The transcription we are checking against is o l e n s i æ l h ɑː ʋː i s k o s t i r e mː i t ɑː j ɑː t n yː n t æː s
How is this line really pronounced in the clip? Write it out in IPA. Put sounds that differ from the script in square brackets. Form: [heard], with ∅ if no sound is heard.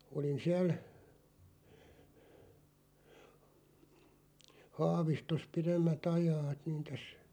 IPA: o l [i] n s i æ l h ɑː [ʋ] i s [t] o s [p] i r e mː [æ] t [ɑ] j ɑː t n [iː] n t [æ] s